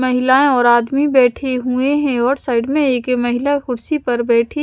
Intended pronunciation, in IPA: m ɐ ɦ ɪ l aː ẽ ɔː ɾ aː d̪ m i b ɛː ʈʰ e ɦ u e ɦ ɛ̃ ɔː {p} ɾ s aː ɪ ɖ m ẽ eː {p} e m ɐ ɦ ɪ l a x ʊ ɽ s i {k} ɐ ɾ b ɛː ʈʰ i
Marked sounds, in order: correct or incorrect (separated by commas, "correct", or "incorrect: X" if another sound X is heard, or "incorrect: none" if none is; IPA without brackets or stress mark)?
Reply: incorrect: none, incorrect: k, incorrect: p